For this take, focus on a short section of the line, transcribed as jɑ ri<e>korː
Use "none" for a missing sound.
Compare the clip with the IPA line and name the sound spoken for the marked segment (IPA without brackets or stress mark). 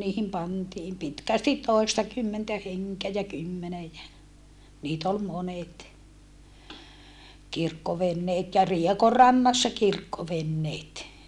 e